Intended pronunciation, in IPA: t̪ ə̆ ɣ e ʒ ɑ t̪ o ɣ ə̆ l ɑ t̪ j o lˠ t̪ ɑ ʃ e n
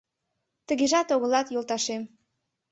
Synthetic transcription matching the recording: t̪ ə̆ ɣ e ʒ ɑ t̪ o ɣ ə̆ l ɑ t̪ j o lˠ t̪ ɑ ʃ e m